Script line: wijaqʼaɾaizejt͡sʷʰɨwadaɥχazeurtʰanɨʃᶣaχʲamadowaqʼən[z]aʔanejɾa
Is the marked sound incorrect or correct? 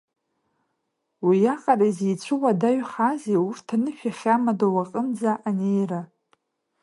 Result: incorrect